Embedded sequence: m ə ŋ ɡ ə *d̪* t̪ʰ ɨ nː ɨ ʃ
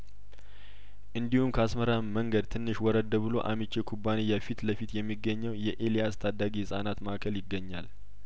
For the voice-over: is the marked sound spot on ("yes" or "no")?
yes